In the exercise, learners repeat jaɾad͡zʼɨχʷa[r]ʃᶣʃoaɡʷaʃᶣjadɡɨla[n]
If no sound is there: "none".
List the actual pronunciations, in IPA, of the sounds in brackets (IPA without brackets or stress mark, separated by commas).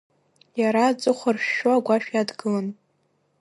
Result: r, n